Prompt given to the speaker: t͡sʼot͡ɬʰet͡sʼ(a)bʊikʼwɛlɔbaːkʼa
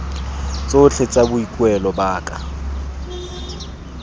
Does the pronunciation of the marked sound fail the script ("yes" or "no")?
no